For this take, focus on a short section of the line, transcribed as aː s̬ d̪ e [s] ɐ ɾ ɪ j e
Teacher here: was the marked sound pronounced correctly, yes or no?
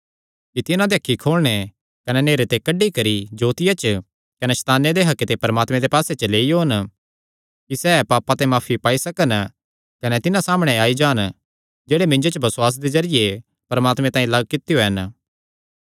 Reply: no